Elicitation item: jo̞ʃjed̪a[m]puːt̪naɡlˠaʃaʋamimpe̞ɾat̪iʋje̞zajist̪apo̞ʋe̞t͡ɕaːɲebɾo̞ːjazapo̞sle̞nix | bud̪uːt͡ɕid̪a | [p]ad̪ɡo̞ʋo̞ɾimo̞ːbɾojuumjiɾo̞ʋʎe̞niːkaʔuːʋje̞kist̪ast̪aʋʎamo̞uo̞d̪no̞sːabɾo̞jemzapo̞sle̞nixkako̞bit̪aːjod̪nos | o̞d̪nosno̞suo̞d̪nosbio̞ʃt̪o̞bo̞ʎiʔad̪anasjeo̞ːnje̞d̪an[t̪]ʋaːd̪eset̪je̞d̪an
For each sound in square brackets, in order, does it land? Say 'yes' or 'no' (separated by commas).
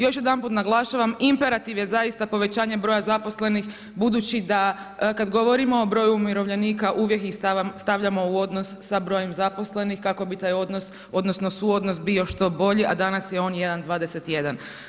no, no, no